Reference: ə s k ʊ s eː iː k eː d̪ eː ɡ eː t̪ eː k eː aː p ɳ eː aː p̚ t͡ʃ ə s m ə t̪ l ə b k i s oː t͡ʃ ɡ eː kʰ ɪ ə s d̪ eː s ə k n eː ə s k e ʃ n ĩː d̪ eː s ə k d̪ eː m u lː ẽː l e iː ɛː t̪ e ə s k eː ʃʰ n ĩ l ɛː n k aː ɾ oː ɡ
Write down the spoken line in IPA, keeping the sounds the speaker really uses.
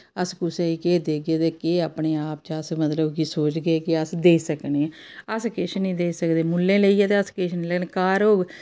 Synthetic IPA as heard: ə s k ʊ s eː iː k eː d̪ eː ɡ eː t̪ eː k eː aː p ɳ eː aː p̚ t͡ʃ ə s m ə t̪ l ə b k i s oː t͡ʃ ɡ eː k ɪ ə s d̪ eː s ə k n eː ə s k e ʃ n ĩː d̪ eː s ə k d̪ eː m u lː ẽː l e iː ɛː t̪ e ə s k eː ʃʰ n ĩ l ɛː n k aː ɾ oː ɡ